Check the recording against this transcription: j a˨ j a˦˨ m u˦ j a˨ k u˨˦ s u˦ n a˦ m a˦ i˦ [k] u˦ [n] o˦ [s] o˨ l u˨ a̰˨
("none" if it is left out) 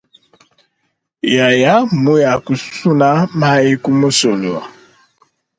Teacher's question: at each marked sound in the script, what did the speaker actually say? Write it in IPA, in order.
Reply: k, m, s

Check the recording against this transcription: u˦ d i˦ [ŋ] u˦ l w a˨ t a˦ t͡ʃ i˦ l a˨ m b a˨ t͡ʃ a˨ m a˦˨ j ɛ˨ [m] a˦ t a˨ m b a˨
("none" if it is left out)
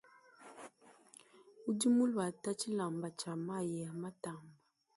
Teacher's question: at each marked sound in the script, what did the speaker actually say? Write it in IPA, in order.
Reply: m, m

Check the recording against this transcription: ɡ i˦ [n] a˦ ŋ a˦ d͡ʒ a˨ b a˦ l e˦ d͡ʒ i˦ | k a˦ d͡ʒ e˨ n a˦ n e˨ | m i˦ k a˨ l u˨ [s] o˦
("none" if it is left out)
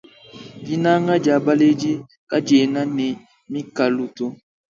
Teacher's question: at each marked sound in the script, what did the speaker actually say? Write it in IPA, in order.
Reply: n, t

